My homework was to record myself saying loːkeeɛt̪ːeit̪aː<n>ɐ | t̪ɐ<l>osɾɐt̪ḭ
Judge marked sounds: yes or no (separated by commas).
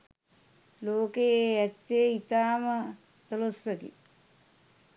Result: no, yes